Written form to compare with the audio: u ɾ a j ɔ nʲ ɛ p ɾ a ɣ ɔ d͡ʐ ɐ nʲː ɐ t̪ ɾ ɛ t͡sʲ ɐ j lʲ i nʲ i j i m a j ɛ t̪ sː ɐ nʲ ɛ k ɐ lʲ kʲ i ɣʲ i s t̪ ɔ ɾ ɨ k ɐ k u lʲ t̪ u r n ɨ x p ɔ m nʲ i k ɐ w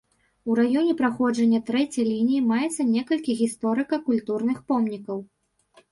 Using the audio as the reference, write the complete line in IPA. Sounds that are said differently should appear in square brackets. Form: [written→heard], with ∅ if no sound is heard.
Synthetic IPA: u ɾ a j ɔ nʲ ɛ p ɾ a [ɣ→x] ɔ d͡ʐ ɐ nʲː ɐ t̪ ɾ ɛ t͡sʲ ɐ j lʲ i nʲ i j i m a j ɛ t̪ sː ɐ nʲ ɛ k ɐ lʲ kʲ i ɣʲ i s t̪ ɔ ɾ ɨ k ɐ k u lʲ t̪ u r n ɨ x p ɔ m nʲ i k ɐ w